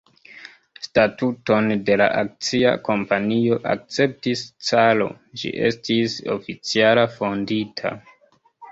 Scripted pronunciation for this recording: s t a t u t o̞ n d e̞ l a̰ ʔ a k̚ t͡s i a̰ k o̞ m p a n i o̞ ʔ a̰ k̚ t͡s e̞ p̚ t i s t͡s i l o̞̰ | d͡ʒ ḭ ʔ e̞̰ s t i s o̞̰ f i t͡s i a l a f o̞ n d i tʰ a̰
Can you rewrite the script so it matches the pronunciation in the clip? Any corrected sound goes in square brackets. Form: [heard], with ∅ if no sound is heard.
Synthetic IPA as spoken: s t a t u t o̞ n d e̞ l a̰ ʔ a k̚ t͡s i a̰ k o̞ m p a n i o̞ ʔ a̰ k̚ t͡s e̞ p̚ t i s t͡s [a] l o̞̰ | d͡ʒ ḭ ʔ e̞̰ s t i s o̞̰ f i t͡s i a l a f o̞ n d i tʰ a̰